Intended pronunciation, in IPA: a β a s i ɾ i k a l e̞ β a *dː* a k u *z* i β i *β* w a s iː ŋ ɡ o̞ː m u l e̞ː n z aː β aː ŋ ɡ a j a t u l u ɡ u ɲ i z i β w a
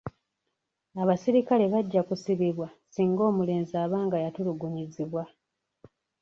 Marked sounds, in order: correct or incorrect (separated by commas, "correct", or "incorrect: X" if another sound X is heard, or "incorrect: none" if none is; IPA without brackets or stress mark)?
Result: incorrect: ɟː, incorrect: s, correct